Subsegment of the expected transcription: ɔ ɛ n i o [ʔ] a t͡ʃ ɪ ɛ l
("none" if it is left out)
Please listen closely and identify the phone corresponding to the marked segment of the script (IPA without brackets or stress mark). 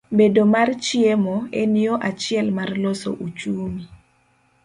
ʔ